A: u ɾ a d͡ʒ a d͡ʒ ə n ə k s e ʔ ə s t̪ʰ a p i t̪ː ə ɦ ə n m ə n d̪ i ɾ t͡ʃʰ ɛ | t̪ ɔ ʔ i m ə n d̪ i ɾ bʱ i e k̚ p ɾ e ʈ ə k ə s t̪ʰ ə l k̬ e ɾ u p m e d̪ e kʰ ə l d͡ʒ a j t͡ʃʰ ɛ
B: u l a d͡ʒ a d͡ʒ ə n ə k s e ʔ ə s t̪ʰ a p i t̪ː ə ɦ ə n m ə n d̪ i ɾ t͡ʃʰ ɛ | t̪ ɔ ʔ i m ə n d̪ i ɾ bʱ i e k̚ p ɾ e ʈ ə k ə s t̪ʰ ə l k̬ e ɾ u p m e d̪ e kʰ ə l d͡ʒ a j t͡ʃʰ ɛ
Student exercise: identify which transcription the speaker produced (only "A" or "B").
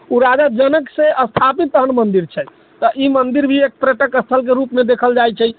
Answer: A